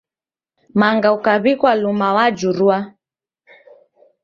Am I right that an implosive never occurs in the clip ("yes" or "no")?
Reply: yes